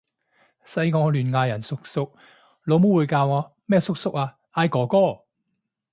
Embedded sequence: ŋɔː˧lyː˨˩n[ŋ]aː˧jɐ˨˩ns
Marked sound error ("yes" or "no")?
no